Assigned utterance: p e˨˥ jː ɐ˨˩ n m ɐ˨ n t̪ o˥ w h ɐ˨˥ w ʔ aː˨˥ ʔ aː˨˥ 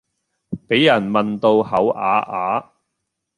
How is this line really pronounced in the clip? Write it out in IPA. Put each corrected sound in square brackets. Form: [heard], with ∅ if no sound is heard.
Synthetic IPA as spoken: p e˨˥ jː ɐ˨˩ n m ɐ˨ n t̪ [o˧] w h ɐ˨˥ w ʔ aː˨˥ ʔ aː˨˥